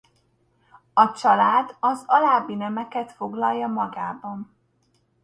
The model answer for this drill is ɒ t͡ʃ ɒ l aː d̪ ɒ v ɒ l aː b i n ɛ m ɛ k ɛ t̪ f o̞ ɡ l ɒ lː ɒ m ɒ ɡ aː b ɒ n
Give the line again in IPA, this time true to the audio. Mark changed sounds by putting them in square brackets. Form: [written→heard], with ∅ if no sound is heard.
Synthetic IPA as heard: ɒ t͡ʃ ɒ l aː d̪ ɒ [v→z] ɒ l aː b i n ɛ m ɛ k ɛ t̪ f o̞ ɡ l ɒ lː ɒ m ɒ ɡ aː b ɒ n